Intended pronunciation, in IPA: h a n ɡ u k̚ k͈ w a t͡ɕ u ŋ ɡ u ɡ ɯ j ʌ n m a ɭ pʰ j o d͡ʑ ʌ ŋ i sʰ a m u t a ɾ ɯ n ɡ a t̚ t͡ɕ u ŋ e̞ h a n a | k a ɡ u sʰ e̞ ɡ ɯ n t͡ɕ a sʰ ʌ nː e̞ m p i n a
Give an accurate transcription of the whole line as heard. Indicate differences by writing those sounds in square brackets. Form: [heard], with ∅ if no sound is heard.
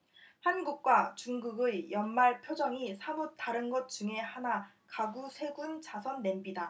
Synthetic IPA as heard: h a n ɡ u k̚ k͈ w a t͡ɕ u ŋ ɡ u ɡ ɯ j ʌ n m a ɭ pʰ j o d͡ʑ ʌ ŋ i sʰ a m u t a ɾ ɯ n ɡ [ʌ] t̚ t͡ɕ u ŋ e̞ h a n a | k a ɡ u sʰ e̞ ɡ [u] n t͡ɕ a sʰ ʌ nː e̞ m [b] i [d] a